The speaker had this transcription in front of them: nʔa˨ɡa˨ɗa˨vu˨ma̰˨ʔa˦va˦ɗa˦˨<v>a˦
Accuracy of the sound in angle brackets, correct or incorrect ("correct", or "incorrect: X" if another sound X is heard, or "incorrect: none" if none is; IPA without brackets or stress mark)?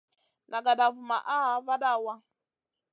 incorrect: w